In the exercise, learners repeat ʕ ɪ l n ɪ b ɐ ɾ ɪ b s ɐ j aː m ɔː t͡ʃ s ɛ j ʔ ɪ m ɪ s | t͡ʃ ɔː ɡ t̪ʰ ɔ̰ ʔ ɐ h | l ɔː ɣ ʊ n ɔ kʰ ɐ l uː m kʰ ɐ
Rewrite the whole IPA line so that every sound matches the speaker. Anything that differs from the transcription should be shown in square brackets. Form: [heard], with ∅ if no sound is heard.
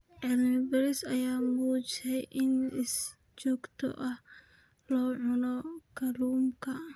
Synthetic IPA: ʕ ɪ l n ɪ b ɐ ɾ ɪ [∅] s ɐ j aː m [uː] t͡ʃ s ɛ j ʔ ɪ [n] ɪ s | t͡ʃ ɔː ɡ t̪ʰ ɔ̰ ʔ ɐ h | l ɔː [ʕ] ʊ n ɔ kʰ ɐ l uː m kʰ ɐ

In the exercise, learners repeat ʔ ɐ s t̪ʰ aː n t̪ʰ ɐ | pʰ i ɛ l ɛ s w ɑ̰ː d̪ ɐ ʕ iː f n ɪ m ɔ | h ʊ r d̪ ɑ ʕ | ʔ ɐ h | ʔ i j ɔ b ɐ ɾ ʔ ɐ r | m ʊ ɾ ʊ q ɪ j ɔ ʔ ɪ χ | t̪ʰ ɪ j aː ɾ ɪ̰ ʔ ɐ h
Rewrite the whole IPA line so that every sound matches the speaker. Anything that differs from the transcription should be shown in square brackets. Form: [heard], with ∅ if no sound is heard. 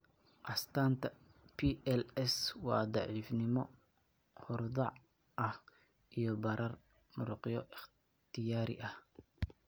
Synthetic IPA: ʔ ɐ s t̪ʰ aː n t̪ʰ ɐ | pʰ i ɛ l ɛ s w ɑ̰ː d̪ [ɑ] ʕ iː f n ɪ m ɔ | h ʊ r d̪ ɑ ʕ | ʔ ɐ h | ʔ i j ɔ b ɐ ɾ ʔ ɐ r | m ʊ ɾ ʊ q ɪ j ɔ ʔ ɪ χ | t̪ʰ ɪ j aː ɾ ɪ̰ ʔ ɐ h

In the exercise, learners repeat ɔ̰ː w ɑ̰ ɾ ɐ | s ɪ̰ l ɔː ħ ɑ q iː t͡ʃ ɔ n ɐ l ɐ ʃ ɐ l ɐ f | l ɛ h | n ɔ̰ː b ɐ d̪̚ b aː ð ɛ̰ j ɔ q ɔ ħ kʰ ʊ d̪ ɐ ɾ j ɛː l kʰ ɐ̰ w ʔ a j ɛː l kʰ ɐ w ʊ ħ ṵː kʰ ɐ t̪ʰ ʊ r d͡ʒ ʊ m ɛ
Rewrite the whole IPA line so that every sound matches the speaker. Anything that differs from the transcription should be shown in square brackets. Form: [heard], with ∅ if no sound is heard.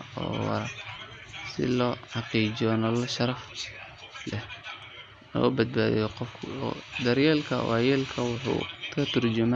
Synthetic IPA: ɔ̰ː w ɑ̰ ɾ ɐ | s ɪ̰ l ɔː ħ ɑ q iː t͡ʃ ɔ n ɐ l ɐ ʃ ɐ [ɾ] ɐ f | l ɛ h | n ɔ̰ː b ɐ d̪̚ b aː ð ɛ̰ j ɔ q ɔ [f] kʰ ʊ d̪ ɐ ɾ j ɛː l kʰ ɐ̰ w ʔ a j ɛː l kʰ ɐ w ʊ ħ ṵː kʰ ɐ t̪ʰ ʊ r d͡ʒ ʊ m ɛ

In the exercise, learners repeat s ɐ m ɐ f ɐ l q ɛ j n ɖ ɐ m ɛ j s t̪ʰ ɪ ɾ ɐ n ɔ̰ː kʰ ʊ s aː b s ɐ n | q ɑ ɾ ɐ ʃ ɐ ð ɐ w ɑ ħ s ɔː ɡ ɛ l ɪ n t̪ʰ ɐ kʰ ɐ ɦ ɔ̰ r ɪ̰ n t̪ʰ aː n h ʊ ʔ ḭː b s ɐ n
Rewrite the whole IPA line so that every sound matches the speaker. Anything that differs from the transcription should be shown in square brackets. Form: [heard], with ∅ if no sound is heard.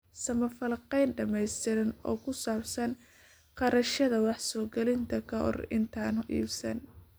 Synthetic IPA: s ɐ m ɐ f ɐ l q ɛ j n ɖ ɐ m ɛ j s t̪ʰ ɪ ɾ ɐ n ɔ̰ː kʰ ʊ s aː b s ɐ n | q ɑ ɾ ɐ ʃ ɐ ð ɐ w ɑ ħ s ɔː ɡ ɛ l ɪ n t̪ʰ ɐ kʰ ɐ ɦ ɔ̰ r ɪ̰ n t̪ʰ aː n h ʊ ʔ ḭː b s ɐ n

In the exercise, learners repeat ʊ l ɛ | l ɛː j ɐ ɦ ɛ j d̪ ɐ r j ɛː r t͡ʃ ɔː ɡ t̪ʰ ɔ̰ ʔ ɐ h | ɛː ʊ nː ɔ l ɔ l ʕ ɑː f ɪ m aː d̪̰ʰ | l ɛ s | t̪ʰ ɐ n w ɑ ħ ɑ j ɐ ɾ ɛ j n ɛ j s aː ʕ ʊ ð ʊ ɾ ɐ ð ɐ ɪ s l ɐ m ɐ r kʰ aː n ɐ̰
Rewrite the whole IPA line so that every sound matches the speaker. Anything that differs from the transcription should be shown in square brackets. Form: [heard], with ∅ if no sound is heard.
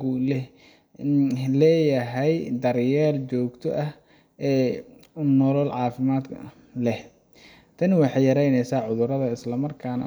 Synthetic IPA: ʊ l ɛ | l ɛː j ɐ ɦ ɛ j d̪ ɐ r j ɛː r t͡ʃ ɔː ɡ t̪ʰ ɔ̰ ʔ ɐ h | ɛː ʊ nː ɔ l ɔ l ʕ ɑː f ɪ m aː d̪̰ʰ | l ɛ [h] | t̪ʰ ɐ n w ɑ ħ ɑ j ɐ ɾ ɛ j n ɛ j s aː ʕ ʊ ð ʊ ɾ ɐ ð ɐ ɪ s l ɐ m ɐ r kʰ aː n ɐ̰

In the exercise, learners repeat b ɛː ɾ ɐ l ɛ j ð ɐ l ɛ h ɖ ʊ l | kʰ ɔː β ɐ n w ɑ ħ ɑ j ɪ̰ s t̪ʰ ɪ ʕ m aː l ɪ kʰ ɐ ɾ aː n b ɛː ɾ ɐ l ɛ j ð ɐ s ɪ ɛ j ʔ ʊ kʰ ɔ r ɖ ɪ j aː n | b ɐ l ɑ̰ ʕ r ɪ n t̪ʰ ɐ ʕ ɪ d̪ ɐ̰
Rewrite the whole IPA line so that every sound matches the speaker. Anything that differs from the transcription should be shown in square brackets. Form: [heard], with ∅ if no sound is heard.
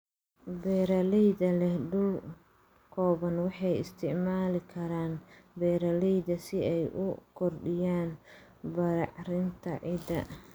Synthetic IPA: b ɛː ɾ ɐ l ɛ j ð ɐ l ɛ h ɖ ʊ l | kʰ ɔː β ɐ n w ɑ ħ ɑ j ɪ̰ s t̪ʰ ɪ ʕ m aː l ɪ kʰ ɐ ɾ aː n b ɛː ɾ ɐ l ɛ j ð ɐ s ɪ ɛ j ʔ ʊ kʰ ɔ r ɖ ɪ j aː n | b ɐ [ɾ] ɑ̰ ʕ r ɪ n t̪ʰ ɐ ʕ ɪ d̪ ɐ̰

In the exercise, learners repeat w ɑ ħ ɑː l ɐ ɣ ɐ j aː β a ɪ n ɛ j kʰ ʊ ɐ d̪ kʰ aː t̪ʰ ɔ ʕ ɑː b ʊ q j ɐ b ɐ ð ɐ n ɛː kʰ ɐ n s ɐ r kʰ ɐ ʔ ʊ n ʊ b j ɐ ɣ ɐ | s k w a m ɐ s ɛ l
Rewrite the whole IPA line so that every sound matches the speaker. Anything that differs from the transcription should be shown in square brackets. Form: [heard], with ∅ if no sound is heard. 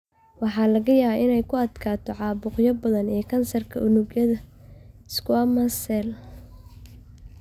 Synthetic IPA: w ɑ ħ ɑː l ɐ ɣ ɐ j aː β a ɪ n ɛ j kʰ ʊ ɐ d̪ kʰ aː t̪ʰ ɔ ʕ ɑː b ʊ q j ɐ b ɐ ð ɐ n ɛː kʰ ɐ n s ɐ r kʰ ɐ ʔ ʊ n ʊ [ɡ] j ɐ [ð] ɐ | s k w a m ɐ s ɛ l

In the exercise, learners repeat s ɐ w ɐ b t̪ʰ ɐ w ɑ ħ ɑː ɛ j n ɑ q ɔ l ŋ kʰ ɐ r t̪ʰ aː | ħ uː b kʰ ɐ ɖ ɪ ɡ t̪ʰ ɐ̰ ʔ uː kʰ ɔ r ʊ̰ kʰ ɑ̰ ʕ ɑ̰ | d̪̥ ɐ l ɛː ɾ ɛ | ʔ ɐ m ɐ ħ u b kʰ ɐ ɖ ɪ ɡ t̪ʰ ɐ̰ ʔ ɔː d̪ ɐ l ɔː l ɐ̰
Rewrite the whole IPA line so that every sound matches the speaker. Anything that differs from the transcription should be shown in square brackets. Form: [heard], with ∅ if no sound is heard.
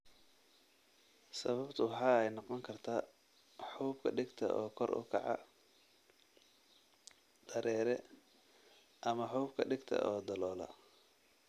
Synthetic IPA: s ɐ [β] ɐ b t̪ʰ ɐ w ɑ ħ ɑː ɛ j n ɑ q ɔ [∅] ŋ kʰ ɐ r t̪ʰ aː | ħ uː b kʰ ɐ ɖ ɪ ɡ t̪ʰ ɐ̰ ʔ [ɔː] kʰ ɔ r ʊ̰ kʰ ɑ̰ ʕ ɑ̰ | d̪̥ ɐ [ɾ] ɛː ɾ ɛ | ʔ ɐ m ɐ ħ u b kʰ ɐ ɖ ɪ ɡ t̪ʰ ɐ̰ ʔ ɔː d̪ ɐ l ɔː l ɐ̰

